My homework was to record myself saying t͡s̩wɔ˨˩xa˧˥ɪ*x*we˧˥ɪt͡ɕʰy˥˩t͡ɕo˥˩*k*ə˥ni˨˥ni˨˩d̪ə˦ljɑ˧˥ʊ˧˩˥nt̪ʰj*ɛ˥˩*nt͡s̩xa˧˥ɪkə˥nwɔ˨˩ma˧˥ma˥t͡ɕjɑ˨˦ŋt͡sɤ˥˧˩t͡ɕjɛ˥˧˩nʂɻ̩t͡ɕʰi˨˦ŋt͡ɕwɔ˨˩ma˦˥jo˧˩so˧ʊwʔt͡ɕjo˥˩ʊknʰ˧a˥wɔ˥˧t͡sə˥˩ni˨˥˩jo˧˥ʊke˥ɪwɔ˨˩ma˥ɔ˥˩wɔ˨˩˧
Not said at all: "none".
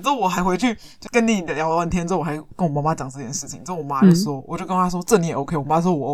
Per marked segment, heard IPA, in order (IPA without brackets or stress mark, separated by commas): x, k, ɛ˥